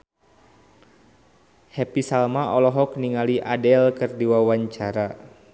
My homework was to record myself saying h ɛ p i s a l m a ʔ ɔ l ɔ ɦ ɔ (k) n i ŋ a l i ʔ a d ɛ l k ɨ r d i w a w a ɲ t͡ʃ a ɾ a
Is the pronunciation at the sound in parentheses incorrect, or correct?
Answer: correct